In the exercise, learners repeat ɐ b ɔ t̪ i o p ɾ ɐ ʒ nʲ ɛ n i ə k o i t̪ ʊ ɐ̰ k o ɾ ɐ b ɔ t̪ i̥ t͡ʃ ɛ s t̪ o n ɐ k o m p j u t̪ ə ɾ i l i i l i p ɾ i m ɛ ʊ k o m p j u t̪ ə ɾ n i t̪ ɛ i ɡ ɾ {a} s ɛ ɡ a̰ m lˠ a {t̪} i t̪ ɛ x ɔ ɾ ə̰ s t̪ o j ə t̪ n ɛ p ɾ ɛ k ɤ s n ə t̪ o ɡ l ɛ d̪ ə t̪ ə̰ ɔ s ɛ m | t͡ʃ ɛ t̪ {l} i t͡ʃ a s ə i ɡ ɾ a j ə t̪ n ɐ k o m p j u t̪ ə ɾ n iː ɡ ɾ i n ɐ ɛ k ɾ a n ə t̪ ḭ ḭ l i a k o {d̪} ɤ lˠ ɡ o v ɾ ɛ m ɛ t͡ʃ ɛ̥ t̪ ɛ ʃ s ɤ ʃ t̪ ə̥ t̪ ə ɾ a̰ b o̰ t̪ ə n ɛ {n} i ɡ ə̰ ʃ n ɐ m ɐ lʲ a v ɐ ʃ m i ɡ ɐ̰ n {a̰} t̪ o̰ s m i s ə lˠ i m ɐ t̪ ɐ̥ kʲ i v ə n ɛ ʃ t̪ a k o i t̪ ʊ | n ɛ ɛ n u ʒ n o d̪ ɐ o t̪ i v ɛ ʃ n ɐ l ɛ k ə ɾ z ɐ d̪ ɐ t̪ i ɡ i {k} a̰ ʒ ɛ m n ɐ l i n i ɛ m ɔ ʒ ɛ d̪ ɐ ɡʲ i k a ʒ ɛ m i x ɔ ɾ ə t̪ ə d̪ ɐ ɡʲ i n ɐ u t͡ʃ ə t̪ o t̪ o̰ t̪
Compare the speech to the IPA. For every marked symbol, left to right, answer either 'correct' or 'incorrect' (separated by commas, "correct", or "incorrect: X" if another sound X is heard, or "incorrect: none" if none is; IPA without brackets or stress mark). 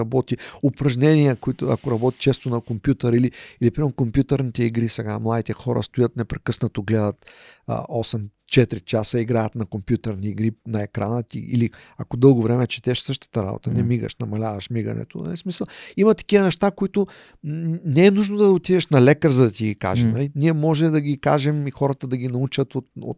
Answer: incorrect: i, incorrect: d̪, incorrect: ɾ, correct, incorrect: m, incorrect: ɛ̰, correct